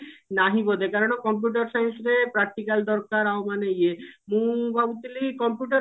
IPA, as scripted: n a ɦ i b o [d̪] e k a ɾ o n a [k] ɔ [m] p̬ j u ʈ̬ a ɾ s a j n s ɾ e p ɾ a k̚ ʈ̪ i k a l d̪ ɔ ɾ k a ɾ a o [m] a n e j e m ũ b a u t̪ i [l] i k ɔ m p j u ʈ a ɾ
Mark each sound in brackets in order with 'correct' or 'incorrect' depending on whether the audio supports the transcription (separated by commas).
correct, correct, correct, correct, correct